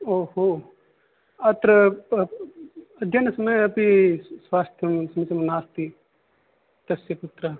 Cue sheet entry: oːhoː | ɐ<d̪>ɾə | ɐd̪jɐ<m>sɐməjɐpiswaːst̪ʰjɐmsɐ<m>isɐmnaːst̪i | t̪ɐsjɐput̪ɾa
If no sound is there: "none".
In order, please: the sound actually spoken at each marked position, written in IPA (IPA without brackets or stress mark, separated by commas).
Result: t̪, n, m